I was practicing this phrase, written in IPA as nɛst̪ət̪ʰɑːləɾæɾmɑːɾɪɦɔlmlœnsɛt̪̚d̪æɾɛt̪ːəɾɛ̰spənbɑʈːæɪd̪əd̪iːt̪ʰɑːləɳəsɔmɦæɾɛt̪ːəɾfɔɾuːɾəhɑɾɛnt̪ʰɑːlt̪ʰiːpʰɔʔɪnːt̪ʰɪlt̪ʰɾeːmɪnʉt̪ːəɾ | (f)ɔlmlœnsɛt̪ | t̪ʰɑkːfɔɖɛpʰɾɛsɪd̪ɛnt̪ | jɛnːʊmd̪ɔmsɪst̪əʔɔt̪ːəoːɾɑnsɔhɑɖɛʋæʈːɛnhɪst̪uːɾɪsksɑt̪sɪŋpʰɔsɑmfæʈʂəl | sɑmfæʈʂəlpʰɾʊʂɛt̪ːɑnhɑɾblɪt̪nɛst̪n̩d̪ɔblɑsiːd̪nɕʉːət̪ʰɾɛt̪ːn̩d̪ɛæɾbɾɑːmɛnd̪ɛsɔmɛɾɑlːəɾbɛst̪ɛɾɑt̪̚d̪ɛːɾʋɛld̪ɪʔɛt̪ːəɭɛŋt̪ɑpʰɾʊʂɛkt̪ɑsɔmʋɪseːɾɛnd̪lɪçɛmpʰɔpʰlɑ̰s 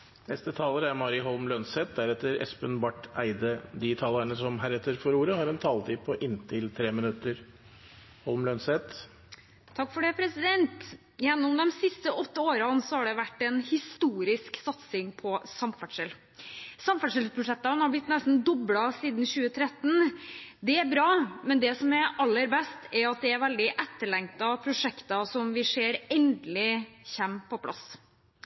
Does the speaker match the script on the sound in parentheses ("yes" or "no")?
no